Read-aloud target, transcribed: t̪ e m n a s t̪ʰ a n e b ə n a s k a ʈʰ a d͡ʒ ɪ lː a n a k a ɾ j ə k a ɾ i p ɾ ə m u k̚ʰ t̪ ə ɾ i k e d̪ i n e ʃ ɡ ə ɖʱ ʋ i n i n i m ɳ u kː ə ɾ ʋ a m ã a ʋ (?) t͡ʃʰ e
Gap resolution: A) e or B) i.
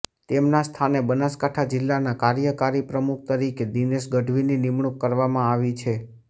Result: B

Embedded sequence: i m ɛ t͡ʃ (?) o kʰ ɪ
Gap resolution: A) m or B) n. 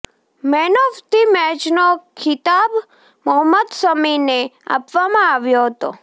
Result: B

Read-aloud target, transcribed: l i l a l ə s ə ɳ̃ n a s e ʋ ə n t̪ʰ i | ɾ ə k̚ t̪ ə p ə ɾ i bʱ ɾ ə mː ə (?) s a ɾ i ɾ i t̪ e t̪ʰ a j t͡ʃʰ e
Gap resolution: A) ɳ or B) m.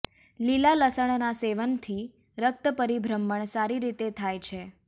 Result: A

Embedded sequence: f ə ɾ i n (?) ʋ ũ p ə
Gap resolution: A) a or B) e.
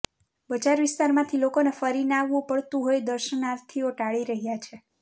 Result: A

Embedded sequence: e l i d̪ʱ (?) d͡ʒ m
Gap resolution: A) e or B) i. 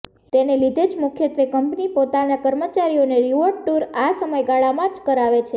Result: A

